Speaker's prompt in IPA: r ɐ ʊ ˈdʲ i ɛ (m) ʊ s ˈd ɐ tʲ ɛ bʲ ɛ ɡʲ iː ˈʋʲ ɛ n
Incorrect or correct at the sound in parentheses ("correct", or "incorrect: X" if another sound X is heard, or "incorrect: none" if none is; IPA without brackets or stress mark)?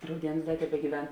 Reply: incorrect: n